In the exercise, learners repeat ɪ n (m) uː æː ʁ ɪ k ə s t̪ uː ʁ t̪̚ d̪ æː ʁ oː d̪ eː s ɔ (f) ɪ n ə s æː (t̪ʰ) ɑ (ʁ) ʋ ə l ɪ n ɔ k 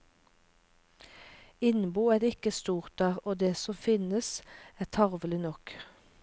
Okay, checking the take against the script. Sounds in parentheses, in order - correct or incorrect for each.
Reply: incorrect: b, correct, correct, correct

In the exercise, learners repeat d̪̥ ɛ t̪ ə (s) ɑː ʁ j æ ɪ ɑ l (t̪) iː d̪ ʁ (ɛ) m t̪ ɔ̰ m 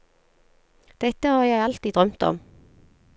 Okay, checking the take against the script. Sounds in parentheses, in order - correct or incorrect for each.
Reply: incorrect: h, correct, incorrect: œ

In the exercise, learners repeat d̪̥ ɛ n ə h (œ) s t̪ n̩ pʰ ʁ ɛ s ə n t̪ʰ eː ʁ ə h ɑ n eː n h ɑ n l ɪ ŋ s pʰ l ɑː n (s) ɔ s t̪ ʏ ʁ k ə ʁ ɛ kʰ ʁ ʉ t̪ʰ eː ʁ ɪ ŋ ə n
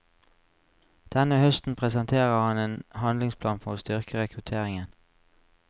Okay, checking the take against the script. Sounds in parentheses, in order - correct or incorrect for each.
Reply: correct, incorrect: f

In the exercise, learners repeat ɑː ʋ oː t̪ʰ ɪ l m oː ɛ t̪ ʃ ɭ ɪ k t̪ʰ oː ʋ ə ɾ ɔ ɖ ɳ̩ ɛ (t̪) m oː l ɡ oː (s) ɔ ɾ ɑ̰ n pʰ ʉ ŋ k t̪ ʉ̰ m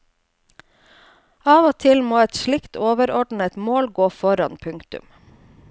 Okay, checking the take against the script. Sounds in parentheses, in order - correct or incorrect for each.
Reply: correct, incorrect: f

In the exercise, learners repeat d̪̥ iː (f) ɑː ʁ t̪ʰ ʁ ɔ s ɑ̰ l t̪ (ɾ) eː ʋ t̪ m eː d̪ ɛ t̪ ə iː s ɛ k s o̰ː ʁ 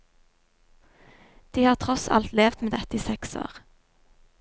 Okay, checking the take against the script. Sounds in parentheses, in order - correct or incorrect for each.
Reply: incorrect: h, incorrect: l

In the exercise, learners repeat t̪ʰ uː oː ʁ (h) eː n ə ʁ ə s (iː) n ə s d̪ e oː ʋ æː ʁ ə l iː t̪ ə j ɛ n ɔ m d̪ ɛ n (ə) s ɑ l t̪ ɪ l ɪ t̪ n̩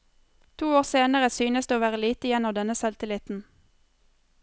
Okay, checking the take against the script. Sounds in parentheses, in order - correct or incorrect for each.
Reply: incorrect: s, incorrect: yː, correct

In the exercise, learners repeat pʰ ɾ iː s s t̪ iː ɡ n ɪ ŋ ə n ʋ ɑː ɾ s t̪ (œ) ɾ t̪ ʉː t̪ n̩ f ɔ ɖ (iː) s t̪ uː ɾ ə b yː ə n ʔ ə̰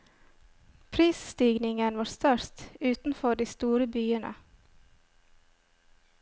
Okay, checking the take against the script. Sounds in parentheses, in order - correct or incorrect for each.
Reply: correct, correct

